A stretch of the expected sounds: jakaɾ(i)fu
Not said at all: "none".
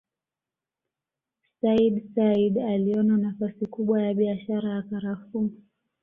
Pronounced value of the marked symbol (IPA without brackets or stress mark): a